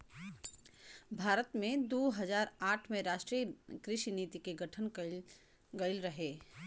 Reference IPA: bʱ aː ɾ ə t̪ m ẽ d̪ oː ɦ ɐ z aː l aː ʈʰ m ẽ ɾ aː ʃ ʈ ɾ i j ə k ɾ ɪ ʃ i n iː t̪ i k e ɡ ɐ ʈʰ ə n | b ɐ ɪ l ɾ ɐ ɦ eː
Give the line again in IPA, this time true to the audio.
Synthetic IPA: bʱ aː ɾ ə t̪ m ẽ d̪ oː ɦ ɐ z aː ɾ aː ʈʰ m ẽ ɾ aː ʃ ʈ ɾ i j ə k ɾ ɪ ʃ i n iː t̪ i k e ɡ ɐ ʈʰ ə n | ɡ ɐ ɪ l ɾ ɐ ɦ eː